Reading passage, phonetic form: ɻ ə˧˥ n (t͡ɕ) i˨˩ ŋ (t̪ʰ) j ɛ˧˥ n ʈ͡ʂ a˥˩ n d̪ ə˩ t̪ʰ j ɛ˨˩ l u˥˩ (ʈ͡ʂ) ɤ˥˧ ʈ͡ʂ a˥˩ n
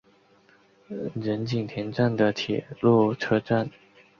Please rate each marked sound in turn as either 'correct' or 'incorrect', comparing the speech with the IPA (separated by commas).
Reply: correct, correct, incorrect